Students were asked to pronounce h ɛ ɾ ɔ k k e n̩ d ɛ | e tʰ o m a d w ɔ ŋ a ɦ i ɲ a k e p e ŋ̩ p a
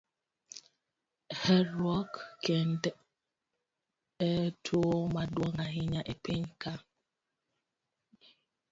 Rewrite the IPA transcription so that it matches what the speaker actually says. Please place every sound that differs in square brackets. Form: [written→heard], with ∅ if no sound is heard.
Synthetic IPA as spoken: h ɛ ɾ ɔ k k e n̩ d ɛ | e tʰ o m a d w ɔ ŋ a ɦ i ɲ a [k→ʔ] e p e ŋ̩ [p→k] a